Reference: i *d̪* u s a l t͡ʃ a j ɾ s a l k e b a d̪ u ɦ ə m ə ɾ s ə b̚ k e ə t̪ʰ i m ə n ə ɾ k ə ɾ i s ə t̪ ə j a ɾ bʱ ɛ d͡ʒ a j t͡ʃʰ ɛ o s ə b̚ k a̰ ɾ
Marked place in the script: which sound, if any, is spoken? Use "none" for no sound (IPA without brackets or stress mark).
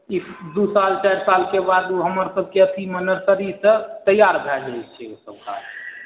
d̪